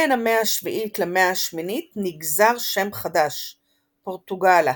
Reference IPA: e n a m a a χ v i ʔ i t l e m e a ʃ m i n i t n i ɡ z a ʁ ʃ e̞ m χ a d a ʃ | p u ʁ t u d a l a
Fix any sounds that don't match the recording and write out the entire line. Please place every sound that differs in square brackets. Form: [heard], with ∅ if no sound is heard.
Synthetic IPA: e n a m [e] a [ʃ] v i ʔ i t l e m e a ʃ m i n i t n i ɡ z a ʁ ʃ e̞ m χ a d a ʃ | p [o] ʁ t u [ɡ] a l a